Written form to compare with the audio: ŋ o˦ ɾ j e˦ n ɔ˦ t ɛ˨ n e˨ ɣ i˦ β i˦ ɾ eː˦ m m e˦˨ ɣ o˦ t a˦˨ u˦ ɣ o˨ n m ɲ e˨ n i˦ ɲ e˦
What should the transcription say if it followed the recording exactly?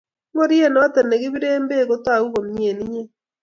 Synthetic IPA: ŋ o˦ ɾ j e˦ n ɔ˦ t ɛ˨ n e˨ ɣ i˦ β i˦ ɾ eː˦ m b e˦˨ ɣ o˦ t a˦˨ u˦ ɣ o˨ m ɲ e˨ n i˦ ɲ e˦